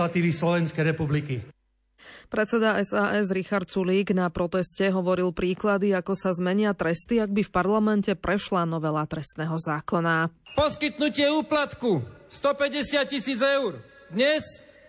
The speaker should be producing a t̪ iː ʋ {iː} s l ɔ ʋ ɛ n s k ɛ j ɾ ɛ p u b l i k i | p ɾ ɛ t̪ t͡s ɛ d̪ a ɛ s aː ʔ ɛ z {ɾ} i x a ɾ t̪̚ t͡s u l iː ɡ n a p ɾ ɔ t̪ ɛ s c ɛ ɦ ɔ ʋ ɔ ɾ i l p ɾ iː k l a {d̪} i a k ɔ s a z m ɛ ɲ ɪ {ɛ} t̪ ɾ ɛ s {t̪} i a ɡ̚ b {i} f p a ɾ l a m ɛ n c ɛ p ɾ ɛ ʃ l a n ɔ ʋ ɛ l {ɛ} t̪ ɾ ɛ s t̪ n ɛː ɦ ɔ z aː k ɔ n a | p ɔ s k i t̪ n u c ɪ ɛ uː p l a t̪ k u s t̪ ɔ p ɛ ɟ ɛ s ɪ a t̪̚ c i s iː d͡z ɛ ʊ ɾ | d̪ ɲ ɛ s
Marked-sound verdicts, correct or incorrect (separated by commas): incorrect, correct, correct, incorrect, correct, correct, incorrect